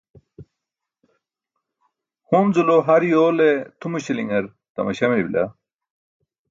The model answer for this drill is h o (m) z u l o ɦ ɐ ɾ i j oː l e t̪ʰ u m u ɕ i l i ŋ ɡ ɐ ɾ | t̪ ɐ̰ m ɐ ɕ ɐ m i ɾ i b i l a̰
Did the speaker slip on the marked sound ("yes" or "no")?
no